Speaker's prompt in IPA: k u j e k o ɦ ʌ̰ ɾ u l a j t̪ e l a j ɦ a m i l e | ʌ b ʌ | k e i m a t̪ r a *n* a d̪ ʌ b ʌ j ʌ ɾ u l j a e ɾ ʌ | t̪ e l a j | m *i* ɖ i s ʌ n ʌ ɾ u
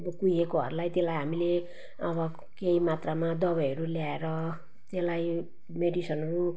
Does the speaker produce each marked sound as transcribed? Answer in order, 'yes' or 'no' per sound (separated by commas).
no, no